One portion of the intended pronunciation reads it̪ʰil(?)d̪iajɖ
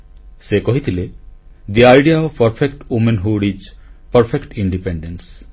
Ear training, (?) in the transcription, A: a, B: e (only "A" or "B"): B